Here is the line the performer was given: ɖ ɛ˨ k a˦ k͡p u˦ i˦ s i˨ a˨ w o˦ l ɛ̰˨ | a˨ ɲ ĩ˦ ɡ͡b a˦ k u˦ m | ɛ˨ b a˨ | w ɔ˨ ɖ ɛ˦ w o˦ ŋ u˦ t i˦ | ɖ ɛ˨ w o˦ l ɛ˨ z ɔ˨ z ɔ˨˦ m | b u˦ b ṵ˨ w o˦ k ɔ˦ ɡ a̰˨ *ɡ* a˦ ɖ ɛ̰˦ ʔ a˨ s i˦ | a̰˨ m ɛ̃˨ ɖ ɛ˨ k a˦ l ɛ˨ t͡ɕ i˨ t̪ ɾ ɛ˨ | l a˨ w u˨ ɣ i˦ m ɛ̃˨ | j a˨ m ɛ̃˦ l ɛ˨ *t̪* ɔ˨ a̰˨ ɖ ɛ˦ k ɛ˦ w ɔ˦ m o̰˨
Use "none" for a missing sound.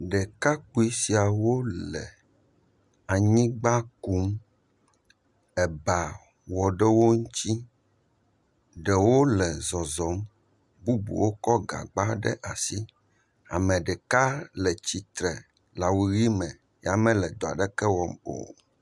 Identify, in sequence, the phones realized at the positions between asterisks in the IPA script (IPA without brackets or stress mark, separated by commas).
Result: ɡ͡b, d̪